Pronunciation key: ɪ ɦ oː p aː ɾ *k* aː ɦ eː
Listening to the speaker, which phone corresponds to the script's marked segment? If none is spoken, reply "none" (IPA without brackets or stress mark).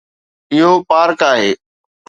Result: k